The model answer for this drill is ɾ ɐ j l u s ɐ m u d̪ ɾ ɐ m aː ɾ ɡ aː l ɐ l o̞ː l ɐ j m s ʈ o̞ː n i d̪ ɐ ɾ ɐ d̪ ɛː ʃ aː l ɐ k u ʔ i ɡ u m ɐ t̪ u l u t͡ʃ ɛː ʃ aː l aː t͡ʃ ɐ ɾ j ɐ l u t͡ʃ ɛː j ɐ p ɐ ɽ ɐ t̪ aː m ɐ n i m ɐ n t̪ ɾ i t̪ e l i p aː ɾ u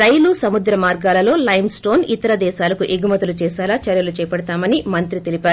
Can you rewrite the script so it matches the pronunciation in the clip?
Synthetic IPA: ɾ ɐ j l u s ɐ m u d̪ ɾ ɐ m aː ɾ ɡ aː l ɐ l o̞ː l ɐ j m s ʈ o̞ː n i t̪ ɐ ɾ ɐ d̪ ɛː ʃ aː l ɐ k u ʔ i ɡ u m ɐ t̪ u l u t͡ʃ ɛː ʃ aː l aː t͡ʃ ɐ ɾ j ɐ l u t͡ʃ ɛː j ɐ p ɐ ɽ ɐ t̪ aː m ɐ n i m ɐ n t̪ ɾ i t̪ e l i p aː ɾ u